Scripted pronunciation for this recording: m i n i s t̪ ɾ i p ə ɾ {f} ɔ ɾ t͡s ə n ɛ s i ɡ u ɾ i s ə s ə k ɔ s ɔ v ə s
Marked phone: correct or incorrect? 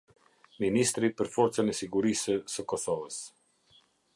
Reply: correct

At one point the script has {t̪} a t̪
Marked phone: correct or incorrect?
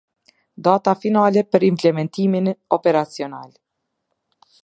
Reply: incorrect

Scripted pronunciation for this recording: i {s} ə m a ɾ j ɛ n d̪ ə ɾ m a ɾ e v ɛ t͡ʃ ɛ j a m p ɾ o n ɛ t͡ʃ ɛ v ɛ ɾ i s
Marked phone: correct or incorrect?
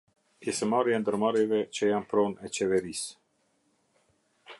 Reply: correct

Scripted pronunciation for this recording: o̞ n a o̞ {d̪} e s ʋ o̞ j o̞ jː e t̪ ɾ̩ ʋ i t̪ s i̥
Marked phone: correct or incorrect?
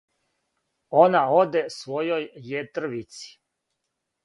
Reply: correct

